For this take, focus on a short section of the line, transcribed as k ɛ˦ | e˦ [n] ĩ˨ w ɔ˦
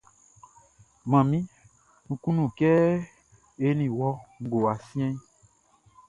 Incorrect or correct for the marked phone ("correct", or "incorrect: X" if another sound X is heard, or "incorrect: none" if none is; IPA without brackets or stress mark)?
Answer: correct